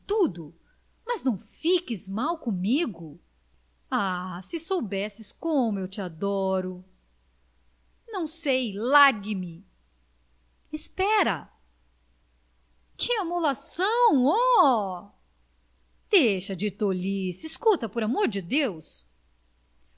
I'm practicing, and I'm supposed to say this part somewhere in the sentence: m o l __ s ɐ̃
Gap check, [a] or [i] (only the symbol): a